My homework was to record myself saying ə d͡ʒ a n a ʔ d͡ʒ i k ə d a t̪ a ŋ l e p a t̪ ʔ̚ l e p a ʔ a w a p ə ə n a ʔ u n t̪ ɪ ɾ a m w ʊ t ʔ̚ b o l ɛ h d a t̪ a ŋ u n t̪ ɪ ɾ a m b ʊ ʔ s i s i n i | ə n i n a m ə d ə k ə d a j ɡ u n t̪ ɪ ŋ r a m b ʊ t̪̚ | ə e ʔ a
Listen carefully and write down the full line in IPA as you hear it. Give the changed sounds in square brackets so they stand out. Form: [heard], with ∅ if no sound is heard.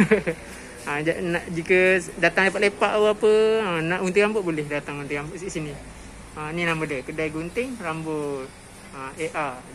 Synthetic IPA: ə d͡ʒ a n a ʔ d͡ʒ i k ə d a t̪ a ŋ l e p a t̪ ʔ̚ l e p a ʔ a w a p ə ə n a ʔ u n t̪ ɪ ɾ a m [b] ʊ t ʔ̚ b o l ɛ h d a t̪ a ŋ u n t̪ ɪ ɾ a m b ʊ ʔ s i s i n i | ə n i n a m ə d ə k ə d a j ɡ u n t̪ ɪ ŋ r a m b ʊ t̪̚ | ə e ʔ a